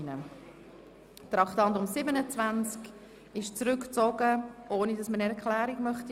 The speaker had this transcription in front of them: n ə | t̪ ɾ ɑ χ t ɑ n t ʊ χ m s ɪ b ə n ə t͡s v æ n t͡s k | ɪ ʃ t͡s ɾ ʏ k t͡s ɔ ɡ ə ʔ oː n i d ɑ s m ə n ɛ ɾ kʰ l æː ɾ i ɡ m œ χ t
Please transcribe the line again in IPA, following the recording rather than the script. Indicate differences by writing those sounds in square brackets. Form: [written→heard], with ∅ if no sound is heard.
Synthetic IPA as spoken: n ə | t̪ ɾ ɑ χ t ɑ n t ʊ [χ→∅] m s ɪ b ə n ə t͡s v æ n t͡s k | ɪ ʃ t͡s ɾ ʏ k t͡s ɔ ɡ ə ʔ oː n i d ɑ s m ə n ɛ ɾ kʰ l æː ɾ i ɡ m œ χ t